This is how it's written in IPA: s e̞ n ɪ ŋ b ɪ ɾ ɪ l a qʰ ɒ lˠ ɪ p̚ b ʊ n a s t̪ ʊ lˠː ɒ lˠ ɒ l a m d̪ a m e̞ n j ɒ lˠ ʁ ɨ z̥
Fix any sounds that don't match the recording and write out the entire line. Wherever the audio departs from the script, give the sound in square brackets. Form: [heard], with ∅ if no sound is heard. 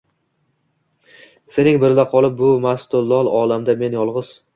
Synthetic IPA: s e̞ n ɪ ŋ b ɪ ɾ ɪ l a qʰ ɒ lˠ ɪ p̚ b ʊ [m] a s t̪ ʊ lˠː ɒ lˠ ɒ l a m d̪ a m e̞ n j ɒ lˠ ʁ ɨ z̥